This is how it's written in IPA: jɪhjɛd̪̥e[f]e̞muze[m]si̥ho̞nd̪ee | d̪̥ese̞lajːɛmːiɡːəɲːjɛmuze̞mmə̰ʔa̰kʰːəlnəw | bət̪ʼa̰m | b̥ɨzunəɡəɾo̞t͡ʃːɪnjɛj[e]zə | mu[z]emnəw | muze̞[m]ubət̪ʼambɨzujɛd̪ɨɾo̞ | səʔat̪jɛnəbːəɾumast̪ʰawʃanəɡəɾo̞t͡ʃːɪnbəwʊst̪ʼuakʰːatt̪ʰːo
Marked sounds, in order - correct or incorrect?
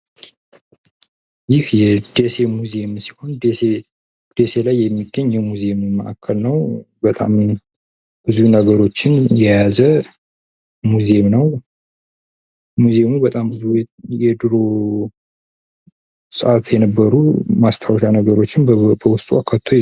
incorrect, correct, incorrect, correct, correct

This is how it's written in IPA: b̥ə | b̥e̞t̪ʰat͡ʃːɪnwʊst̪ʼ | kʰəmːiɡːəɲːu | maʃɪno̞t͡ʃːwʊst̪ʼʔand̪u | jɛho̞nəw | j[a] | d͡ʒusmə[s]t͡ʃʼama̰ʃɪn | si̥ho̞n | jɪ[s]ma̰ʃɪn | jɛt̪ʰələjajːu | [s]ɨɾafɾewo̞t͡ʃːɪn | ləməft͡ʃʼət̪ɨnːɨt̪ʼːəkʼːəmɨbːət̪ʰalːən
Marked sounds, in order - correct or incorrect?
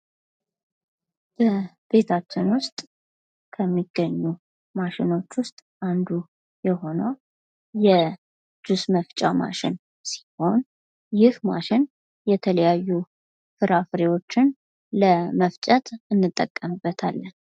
incorrect, incorrect, incorrect, incorrect

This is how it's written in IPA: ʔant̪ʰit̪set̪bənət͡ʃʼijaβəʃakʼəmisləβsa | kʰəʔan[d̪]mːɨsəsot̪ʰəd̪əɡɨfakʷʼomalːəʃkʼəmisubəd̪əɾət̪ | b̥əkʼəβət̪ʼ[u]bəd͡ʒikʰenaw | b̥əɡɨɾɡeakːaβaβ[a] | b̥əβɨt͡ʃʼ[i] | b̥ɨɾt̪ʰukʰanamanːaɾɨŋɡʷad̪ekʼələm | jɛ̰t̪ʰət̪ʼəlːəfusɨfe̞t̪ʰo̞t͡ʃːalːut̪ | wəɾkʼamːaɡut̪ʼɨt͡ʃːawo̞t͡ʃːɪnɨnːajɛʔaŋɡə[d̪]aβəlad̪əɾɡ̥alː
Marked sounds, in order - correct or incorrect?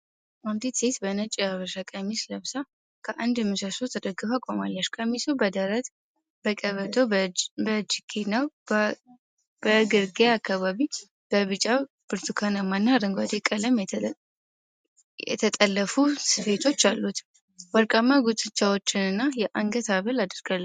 correct, incorrect, incorrect, incorrect, incorrect

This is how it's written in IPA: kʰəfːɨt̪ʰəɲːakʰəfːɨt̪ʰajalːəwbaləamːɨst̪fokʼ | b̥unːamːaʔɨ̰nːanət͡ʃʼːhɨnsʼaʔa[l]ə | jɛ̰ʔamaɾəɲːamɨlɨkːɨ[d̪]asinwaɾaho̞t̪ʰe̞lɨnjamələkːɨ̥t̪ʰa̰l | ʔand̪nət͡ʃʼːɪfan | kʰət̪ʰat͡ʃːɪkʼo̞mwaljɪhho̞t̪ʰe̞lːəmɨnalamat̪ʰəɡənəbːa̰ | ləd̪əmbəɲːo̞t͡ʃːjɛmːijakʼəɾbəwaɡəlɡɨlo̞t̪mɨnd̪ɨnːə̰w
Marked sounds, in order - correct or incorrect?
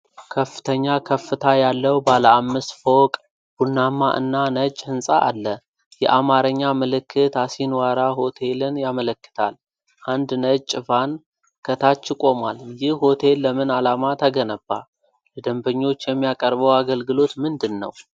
incorrect, incorrect

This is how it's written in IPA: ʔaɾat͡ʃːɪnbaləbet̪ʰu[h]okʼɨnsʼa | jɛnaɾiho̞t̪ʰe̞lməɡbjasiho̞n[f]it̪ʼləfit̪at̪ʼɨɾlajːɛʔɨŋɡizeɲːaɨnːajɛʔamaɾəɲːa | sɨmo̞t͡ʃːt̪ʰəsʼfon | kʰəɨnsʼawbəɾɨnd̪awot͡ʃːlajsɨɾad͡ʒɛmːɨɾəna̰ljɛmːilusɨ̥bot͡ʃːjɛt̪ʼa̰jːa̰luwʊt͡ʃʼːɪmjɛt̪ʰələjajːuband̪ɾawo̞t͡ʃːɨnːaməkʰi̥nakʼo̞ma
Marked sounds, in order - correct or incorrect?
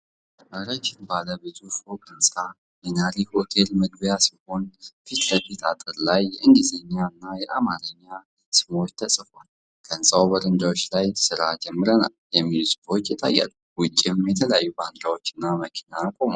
incorrect, correct

